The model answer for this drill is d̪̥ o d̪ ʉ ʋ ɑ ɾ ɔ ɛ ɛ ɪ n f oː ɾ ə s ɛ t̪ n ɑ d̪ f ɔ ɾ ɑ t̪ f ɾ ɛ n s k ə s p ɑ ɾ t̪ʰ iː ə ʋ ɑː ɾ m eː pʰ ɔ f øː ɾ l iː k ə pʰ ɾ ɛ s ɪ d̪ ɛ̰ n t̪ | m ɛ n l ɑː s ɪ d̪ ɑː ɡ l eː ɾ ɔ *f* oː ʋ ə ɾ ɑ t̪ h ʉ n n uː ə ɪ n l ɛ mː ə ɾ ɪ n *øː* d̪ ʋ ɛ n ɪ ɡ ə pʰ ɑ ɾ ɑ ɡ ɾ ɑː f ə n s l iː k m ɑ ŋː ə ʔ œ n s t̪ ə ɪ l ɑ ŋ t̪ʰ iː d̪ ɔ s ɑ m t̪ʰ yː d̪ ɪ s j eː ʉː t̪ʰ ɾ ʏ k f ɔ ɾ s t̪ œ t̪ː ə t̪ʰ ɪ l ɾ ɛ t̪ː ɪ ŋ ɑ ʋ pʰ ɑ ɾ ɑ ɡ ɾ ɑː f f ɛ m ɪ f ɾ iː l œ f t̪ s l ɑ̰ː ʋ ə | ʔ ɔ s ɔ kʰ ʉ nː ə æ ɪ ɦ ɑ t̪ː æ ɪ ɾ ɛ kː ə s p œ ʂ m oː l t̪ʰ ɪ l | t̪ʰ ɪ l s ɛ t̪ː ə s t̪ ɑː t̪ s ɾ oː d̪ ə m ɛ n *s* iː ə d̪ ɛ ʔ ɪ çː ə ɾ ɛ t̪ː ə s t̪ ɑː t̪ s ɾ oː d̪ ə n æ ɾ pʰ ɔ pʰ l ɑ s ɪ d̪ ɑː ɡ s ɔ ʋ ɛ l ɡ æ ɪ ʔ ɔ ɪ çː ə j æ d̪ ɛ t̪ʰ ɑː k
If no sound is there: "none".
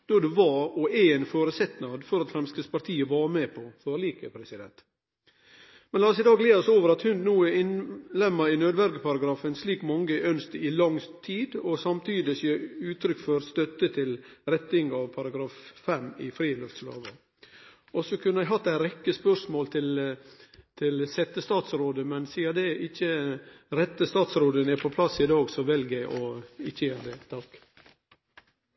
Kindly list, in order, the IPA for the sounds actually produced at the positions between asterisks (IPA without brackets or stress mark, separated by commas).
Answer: s, øː, s